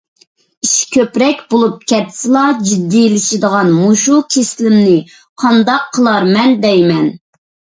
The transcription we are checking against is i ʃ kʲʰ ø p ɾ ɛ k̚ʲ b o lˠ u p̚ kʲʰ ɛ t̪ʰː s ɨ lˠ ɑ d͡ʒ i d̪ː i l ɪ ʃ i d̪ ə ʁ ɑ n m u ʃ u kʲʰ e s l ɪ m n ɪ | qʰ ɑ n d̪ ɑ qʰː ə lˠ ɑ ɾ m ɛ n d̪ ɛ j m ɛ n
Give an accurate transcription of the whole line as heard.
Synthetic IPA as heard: i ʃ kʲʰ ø p ɾ ɛ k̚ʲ b o lˠ u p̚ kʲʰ ɛ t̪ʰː s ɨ lˠ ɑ d͡ʒ i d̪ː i l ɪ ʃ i d̪ ə ʁ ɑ n m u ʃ u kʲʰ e s l ɪ m n ɪ | qʰ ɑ n d̪ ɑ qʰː ə lˠ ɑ ɾ m ɛ n d̪ ɛ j m ɛ n